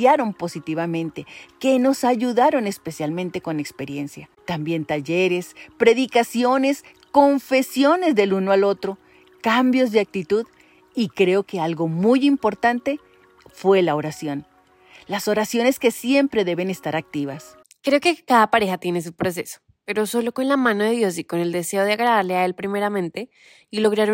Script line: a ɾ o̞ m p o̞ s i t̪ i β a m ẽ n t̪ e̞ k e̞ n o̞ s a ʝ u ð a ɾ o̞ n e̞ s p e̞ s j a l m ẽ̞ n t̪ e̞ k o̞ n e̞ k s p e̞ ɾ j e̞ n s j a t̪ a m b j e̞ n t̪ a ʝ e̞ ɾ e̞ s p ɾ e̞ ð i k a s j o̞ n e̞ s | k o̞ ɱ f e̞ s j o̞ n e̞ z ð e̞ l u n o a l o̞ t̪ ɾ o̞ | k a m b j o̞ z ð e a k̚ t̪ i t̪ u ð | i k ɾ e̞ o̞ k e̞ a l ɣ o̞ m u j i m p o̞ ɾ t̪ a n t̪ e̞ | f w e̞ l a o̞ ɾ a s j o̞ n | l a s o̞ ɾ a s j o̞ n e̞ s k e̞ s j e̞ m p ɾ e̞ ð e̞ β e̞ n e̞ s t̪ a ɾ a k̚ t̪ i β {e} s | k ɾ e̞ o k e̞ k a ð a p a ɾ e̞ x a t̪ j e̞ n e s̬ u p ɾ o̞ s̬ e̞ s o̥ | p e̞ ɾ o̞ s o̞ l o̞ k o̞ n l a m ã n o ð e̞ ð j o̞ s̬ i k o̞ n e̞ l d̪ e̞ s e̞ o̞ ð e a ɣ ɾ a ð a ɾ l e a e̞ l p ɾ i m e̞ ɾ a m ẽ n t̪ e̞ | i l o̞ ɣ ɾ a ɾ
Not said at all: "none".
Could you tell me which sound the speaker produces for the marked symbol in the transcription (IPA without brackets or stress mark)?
a